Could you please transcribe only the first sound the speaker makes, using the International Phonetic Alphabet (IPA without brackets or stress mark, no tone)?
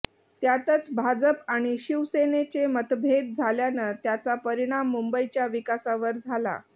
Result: t̪